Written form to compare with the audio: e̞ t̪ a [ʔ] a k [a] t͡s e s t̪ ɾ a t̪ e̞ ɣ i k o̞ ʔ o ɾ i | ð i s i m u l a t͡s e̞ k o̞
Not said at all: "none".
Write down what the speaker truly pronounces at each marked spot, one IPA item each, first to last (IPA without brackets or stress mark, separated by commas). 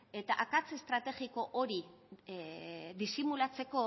ʔ, a